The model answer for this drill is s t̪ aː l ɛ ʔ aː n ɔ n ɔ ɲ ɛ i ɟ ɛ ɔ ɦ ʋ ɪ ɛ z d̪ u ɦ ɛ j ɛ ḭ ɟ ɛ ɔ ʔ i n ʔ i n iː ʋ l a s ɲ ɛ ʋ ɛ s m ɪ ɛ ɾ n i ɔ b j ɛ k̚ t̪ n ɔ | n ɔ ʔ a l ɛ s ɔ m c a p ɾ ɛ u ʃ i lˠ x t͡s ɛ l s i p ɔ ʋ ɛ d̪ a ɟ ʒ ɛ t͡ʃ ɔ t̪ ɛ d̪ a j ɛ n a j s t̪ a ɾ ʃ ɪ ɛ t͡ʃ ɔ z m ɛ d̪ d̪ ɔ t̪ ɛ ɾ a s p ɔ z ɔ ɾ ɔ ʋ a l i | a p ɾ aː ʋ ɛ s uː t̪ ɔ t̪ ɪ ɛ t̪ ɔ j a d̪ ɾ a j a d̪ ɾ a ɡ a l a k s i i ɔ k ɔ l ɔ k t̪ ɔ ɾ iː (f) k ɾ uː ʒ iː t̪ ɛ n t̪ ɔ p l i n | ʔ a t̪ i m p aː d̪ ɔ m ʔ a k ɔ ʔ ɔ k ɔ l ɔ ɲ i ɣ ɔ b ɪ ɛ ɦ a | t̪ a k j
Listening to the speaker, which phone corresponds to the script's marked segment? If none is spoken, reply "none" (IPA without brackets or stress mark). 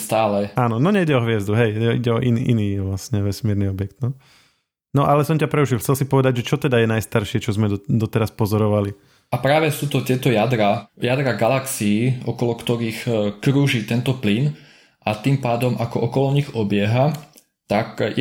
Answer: x